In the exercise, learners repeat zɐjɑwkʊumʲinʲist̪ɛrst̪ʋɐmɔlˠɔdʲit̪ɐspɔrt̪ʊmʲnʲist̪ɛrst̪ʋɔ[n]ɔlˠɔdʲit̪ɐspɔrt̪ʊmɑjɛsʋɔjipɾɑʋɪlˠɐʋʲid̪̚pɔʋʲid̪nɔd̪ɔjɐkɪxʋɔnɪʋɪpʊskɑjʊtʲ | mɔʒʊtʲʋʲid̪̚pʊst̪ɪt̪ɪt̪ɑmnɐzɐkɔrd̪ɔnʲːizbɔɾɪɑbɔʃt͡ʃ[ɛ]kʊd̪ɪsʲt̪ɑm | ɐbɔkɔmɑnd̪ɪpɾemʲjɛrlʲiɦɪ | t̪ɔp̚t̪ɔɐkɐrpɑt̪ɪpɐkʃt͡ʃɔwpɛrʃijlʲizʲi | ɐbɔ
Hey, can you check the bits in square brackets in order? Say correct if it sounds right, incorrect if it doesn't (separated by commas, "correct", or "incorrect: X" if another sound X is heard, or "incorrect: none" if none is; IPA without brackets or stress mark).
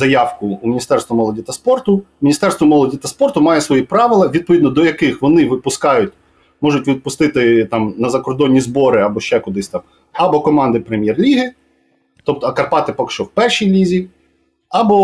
incorrect: m, correct